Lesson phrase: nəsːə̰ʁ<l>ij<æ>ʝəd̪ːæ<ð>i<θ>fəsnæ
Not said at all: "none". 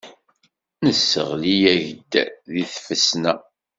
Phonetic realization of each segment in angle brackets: l, æ, ð, θ

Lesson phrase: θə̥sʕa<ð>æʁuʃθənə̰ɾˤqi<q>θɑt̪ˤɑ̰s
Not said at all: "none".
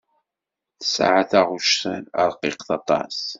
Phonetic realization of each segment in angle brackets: θ, q

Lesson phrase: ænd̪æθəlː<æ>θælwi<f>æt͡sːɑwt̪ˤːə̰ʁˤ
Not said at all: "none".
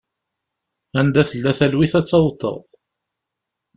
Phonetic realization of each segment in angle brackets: æ, θ

